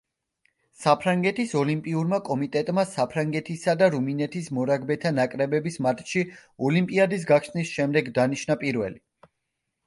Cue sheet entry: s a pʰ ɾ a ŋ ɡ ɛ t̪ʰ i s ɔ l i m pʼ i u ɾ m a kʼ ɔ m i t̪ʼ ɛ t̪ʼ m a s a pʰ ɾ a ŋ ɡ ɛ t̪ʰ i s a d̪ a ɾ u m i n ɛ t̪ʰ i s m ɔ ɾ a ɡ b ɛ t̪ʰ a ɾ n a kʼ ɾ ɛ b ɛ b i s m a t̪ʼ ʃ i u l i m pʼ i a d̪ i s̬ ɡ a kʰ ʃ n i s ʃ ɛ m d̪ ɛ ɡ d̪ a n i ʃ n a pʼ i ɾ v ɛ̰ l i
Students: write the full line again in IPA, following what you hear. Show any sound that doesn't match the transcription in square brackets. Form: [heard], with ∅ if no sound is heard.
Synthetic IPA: s a pʰ ɾ a ŋ ɡ ɛ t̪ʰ i s ɔ l i m pʼ i u ɾ m a kʼ ɔ m i t̪ʼ ɛ t̪ʼ m a s a pʰ ɾ a ŋ ɡ ɛ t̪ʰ i s a d̪ a ɾ u m i n ɛ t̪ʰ i s m ɔ ɾ a ɡ b ɛ t̪ʰ a [∅] n a kʼ ɾ ɛ b ɛ b i s m a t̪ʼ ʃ i [ɔ] l i m pʼ i a d̪ i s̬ ɡ a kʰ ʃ n i s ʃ ɛ m d̪ ɛ ɡ d̪ a n i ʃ n a pʼ i ɾ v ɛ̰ l i

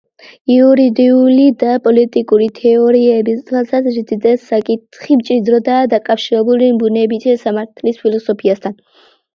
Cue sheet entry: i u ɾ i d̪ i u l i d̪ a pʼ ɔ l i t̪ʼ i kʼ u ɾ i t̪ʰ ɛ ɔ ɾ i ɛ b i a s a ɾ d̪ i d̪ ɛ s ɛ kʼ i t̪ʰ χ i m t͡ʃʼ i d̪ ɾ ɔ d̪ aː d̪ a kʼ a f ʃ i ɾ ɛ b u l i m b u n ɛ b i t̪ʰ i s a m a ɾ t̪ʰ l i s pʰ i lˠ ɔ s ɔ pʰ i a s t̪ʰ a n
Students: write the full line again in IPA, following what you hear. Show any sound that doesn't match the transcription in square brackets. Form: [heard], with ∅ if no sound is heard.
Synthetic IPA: i u ɾ i d̪ i u l i d̪ a pʼ ɔ l i t̪ʼ i kʼ u ɾ i t̪ʰ ɛ ɔ ɾ i ɛ b i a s a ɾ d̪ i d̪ ɛ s [a] kʼ i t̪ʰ χ i m t͡ʃʼ i d̪ ɾ ɔ d̪ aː d̪ a kʼ a f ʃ i ɾ ɛ b u l i m b u n ɛ b i t̪ʰ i s a m a ɾ t̪ʰ l i s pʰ i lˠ ɔ s ɔ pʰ i a s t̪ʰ a n

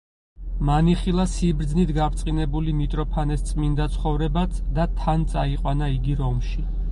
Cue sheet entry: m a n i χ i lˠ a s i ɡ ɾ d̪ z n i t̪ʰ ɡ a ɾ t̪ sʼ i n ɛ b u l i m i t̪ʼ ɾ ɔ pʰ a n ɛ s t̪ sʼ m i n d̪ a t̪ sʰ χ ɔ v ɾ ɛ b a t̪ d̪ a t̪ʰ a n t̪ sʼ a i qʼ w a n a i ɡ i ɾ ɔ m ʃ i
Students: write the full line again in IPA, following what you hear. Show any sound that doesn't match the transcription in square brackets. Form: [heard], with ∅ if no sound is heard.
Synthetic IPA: m a n i χ i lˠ a s i [b] ɾ d̪ z n i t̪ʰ ɡ a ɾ t̪ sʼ i n ɛ b u l i m i t̪ʼ ɾ ɔ pʰ a n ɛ s t̪ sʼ m i n d̪ a t̪ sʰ χ ɔ v ɾ ɛ b a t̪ d̪ a t̪ʰ a n t̪ sʼ a i qʼ w a n a i ɡ i ɾ ɔ m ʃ i

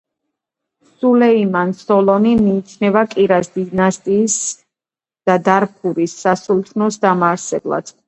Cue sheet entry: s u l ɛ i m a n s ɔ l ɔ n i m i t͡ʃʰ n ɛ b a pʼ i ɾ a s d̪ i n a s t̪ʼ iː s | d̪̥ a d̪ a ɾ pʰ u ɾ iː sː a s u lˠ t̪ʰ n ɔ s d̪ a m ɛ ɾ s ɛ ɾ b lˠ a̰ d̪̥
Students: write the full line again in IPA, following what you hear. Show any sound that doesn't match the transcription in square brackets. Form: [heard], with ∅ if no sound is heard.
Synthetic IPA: s u l ɛ i m a n s ɔ l ɔ n i m [iː] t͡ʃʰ n ɛ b a [kʼ] i ɾ a s d̪ i n a s t̪ʼ iː s | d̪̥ a d̪ a ɾ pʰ u ɾ [i] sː a s u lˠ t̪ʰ n ɔ s d̪ a m [a] ɾ s ɛ [∅] b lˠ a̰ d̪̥

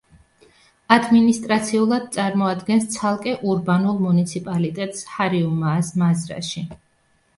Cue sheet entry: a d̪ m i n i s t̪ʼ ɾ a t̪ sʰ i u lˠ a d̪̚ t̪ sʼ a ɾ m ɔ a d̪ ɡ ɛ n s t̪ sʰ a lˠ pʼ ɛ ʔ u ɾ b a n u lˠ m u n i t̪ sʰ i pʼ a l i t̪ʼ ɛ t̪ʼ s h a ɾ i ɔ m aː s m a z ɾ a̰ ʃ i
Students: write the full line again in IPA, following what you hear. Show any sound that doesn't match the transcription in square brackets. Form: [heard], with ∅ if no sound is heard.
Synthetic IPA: a d̪ m i n i s t̪ʼ ɾ a t̪ sʰ i u lˠ a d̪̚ t̪ sʼ a ɾ m ɔ a d̪ ɡ ɛ n s t̪ sʰ a lˠ [kʼ] ɛ ʔ u ɾ b a n u lˠ m u n i t̪ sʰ i pʼ a l i t̪ʼ ɛ t̪ʼ s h a ɾ i [u] m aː s m a z ɾ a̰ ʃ i

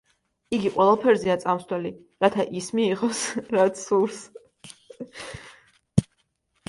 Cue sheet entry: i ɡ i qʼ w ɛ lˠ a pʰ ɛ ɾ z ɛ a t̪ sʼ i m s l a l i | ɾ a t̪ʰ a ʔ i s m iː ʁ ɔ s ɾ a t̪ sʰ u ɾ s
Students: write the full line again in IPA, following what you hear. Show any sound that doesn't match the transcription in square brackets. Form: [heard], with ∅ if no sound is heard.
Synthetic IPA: i ɡ i qʼ w ɛ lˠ a pʰ ɛ ɾ z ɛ a t̪ sʼ [a] m s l [ɛ] l i | ɾ a t̪ʰ a ʔ i s m iː ʁ ɔ s ɾ a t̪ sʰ u ɾ s

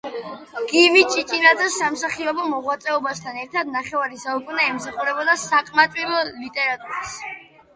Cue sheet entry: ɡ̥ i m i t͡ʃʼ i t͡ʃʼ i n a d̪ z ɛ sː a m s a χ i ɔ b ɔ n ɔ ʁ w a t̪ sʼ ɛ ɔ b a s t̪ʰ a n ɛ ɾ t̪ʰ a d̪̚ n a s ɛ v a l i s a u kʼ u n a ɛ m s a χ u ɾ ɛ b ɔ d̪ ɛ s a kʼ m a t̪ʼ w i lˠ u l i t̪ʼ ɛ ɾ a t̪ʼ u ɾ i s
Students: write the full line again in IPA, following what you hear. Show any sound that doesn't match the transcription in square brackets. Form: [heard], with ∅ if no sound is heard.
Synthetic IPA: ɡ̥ i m i t͡ʃʼ i t͡ʃʼ i n a d̪ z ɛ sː a m s a χ i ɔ b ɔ [m] ɔ ʁ w a t̪ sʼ ɛ ɔ b a s t̪ʰ a n ɛ ɾ t̪ʰ a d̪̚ n a [χ] ɛ v a [ɾ] i s a u kʼ u n a ɛ m s a χ u ɾ ɛ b ɔ d̪ [a] s a kʼ m a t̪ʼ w i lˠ [ɔ] l i t̪ʼ ɛ ɾ a t̪ʼ u ɾ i s

